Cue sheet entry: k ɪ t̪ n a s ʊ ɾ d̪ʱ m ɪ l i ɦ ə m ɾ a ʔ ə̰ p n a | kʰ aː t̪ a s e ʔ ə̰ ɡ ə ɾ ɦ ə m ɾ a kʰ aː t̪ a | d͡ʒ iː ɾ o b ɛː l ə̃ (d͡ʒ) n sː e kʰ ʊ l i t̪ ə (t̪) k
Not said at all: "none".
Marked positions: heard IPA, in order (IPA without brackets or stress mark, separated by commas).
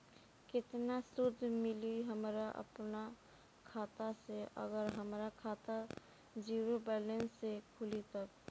none, none